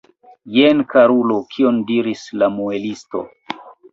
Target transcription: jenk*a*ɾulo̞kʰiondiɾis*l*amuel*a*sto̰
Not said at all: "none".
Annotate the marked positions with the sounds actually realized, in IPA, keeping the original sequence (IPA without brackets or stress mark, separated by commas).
a, l, i